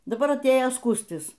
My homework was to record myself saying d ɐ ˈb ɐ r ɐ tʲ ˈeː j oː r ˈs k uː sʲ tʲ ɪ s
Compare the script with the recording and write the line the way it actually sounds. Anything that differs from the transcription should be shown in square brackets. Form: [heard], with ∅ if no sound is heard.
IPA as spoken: d ɐ ˈb ɐ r ɐ tʲ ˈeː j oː [∅] ˈs k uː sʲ tʲ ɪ s

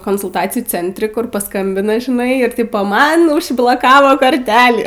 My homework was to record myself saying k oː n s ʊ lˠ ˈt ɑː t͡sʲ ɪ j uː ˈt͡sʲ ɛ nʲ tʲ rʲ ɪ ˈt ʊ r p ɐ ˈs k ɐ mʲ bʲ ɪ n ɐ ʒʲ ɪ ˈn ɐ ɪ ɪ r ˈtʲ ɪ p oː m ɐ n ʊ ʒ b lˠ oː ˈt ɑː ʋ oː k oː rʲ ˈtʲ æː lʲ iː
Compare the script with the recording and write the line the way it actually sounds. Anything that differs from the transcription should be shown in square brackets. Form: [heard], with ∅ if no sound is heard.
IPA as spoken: k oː n s ʊ lˠ ˈt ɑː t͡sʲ ɪ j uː ˈt͡sʲ ɛ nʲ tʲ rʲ ɪ [ˈk] ʊ r p ɐ ˈs k ɐ mʲ bʲ ɪ n ɐ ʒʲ ɪ ˈn ɐ ɪ ɪ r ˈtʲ ɪ p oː m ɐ n ʊ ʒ b lˠ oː [ˈk] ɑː ʋ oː k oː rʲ ˈtʲ æː lʲ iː

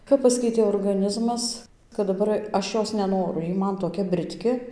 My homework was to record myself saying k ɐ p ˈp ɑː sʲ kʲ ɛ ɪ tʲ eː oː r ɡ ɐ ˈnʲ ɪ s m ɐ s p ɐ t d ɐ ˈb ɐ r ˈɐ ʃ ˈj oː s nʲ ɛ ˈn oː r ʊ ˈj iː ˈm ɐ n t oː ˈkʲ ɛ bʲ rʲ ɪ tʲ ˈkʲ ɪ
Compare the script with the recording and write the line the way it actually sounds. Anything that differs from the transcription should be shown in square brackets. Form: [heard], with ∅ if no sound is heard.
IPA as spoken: k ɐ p ˈp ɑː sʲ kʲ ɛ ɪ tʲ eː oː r ɡ ɐ ˈnʲ ɪ [z] m ɐ s [k] ɐ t d ɐ ˈb ɐ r ˈɐ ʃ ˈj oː s nʲ ɛ ˈn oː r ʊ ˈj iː ˈm ɐ n t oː ˈkʲ ɛ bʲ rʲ ɪ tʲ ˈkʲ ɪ

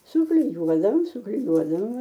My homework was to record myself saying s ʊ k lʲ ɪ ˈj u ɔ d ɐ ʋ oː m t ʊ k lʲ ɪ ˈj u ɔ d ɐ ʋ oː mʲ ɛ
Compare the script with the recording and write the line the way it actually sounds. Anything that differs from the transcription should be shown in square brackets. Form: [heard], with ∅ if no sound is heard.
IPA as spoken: s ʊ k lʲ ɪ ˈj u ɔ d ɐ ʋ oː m [s] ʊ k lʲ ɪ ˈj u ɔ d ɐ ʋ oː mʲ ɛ

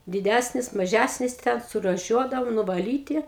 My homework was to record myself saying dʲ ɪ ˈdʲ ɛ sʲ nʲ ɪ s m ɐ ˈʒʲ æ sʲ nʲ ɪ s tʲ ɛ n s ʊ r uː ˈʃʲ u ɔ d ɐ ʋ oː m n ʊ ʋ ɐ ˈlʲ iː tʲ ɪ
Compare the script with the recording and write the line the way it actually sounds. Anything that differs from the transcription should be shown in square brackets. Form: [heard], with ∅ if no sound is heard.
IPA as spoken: dʲ ɪ ˈdʲ [æ] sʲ nʲ ɪ s m ɐ ˈʒʲ æ sʲ nʲ ɪ s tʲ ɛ n s ʊ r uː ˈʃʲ u ɔ d ɐ ʋ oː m n ʊ ʋ ɐ ˈlʲ iː tʲ ɪ

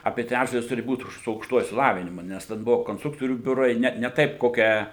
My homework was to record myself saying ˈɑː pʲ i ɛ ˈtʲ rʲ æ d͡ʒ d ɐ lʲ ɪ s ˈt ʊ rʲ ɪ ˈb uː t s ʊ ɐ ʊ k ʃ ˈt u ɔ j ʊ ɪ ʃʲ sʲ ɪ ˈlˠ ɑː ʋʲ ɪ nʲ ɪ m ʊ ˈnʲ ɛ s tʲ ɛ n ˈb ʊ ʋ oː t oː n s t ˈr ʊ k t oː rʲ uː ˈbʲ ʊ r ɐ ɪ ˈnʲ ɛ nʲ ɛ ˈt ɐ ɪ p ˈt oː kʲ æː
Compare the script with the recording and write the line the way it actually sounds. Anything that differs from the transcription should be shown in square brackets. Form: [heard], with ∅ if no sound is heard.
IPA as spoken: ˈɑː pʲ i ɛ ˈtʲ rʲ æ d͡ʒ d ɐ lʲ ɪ s ˈt ʊ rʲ ɪ ˈb uː t s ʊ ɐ ʊ k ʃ ˈt u ɔ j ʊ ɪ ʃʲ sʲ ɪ ˈlˠ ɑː ʋʲ ɪ nʲ ɪ m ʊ ˈnʲ ɛ s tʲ ɛ n ˈb ʊ ʋ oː [k] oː n s t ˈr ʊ k t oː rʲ uː ˈbʲ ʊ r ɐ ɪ ˈnʲ ɛ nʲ ɛ ˈt ɐ ɪ p [ˈk] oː kʲ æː

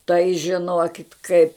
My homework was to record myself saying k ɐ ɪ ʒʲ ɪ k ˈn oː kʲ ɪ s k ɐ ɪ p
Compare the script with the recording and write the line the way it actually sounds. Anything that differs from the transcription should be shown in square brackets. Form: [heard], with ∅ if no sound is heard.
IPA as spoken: [t] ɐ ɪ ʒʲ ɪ [∅] ˈn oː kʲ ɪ [t] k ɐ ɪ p

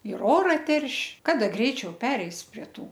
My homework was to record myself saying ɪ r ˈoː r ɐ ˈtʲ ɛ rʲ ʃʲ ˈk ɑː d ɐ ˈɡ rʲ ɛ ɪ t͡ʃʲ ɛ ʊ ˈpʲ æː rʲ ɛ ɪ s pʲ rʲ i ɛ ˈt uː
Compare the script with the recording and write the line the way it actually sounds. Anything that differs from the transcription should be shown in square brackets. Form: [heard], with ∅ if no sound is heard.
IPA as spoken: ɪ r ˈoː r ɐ ˈtʲ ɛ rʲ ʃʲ ˈk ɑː d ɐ ˈɡ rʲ ɛ ɪ t͡ʃʲ ɛ ʊ ˈpʲ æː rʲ ɛ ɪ s pʲ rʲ i ɛ ˈt uː

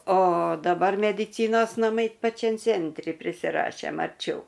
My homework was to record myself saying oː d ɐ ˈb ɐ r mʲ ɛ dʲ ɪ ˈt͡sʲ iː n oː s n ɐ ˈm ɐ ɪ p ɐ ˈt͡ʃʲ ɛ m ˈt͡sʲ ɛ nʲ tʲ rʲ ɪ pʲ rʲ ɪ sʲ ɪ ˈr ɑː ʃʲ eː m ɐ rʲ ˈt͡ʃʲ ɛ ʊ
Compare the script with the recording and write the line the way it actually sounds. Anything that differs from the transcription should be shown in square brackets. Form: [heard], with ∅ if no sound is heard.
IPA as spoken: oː d ɐ ˈb ɐ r mʲ ɛ dʲ ɪ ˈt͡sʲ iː n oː s n ɐ ˈm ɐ ɪ p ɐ ˈt͡ʃʲ ɛ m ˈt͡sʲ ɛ nʲ tʲ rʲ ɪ pʲ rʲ ɪ sʲ ɪ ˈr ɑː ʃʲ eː m ɐ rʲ ˈt͡ʃʲ ɛ ʊ

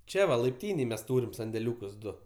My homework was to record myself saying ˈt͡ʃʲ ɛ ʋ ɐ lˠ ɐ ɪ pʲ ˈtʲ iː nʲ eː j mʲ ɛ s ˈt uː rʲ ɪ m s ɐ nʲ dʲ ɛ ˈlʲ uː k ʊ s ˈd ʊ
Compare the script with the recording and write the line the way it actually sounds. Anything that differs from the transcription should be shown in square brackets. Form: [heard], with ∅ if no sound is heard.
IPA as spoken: ˈt͡ʃʲ ɛ ʋ ɐ lˠ ɐ ɪ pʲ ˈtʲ iː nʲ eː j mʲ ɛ s ˈt uː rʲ ɪ m s ɐ nʲ dʲ ɛ ˈlʲ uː k ʊ s ˈd ʊ

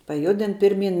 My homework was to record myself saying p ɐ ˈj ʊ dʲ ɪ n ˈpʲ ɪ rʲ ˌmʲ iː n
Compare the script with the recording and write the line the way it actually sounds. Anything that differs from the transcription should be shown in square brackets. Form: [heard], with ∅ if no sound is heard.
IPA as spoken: p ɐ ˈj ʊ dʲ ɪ n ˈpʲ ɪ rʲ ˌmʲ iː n

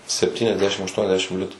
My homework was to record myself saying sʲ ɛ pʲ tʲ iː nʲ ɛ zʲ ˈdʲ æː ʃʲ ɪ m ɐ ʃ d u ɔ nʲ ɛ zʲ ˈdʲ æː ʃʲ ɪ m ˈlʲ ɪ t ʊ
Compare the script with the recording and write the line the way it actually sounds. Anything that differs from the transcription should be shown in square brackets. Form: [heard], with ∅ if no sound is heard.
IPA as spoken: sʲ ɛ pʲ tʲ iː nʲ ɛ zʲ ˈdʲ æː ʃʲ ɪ m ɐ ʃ [t] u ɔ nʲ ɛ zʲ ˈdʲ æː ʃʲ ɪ m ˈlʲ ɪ t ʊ

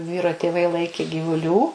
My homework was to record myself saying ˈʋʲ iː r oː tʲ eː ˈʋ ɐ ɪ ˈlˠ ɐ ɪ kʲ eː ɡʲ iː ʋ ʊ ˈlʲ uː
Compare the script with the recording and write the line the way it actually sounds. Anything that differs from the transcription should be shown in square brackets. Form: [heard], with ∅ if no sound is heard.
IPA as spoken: ˈʋʲ iː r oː tʲ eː ˈʋ ɐ ɪ ˈlˠ ɐ ɪ kʲ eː ɡʲ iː ʋ ʊ ˈlʲ uː

